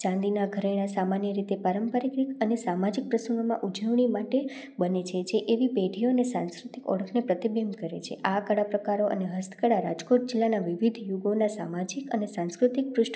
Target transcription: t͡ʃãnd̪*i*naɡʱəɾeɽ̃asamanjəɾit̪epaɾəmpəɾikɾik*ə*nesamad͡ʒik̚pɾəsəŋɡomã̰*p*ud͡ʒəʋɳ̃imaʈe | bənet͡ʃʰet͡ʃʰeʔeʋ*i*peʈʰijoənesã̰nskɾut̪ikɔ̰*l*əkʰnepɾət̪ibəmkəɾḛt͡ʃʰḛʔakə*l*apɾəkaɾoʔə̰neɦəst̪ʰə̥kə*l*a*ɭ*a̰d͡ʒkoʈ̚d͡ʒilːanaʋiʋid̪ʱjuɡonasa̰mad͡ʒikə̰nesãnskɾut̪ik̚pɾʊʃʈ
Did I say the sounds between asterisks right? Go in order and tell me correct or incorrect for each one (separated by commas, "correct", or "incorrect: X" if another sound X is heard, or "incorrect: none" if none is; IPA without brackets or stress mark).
correct, correct, incorrect: ʔ, correct, incorrect: ɽ, incorrect: ɽ, incorrect: ɽ, incorrect: ɾ